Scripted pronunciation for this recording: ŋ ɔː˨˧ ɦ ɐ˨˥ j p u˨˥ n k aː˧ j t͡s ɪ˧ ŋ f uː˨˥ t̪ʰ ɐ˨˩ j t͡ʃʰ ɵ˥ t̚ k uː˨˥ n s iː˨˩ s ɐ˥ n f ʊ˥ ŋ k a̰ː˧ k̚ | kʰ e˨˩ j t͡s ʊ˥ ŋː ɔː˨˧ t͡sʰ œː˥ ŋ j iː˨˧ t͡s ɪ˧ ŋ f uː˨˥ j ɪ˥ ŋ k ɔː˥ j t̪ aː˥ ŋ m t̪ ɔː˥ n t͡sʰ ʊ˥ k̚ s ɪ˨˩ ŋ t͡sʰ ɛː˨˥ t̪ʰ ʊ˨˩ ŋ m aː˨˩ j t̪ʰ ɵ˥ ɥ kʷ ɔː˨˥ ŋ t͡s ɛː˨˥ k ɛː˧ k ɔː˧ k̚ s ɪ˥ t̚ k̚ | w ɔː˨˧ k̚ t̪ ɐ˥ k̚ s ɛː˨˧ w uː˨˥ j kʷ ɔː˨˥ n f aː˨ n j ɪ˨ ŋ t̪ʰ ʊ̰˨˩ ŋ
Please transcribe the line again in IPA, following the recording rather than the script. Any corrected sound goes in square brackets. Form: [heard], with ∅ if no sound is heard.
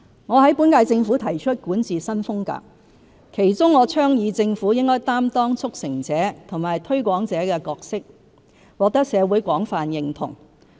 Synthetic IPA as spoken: ŋ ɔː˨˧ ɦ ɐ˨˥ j p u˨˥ n k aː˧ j t͡s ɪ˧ ŋ f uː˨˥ t̪ʰ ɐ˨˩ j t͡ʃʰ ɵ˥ t̚ k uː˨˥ n [t͡s] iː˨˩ s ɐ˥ n f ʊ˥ ŋ k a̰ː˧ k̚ | kʰ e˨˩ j t͡s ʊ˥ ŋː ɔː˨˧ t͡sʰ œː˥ ŋ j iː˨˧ t͡s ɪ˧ ŋ f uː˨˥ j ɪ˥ ŋ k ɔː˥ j t̪ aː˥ [∅] m t̪ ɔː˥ [ŋ] t͡sʰ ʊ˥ k̚ s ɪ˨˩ ŋ [t͡s] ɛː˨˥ t̪ʰ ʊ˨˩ ŋ m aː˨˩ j t̪ʰ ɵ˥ ɥ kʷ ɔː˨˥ ŋ t͡s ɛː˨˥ k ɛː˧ k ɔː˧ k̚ s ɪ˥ [∅] k̚ | w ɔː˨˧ k̚ t̪ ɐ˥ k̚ s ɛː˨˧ w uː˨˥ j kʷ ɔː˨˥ [ŋ] f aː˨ n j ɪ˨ ŋ t̪ʰ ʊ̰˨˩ ŋ